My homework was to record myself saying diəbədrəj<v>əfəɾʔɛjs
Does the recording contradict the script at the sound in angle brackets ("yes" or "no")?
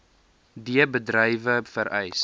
no